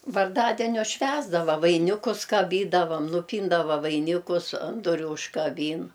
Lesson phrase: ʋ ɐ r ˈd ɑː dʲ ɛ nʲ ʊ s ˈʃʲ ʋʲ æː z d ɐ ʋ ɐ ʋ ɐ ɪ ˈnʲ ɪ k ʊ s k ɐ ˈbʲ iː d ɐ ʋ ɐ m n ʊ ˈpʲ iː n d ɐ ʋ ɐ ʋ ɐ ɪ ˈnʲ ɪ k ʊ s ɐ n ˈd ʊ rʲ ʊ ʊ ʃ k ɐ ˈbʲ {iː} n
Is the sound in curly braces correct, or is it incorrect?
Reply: correct